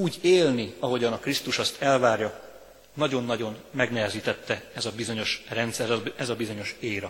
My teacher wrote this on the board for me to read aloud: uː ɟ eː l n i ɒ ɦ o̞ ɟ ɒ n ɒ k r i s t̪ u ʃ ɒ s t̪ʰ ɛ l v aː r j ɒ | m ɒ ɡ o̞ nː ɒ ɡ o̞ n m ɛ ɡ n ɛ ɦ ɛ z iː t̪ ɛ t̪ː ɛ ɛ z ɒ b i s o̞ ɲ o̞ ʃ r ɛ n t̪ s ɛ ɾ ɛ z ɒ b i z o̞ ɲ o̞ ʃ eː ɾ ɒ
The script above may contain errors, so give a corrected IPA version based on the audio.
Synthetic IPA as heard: uː ɟ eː l n i ɒ ɦ o̞ ɟ ɒ n ɒ k r i s t̪ u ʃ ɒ s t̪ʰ ɛ l v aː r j ɒ | n ɒ ɟ o̞ nː ɒ ɟ o̞ n m ɛ ɡ n ɛ ɦ ɛ z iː t̪ ɛ t̪ː ɛ ɛ z ɒ b i z o̞ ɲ o̞ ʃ r ɛ n t̪ s ɛ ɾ ɛ z ɒ b i z o̞ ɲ o̞ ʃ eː ɾ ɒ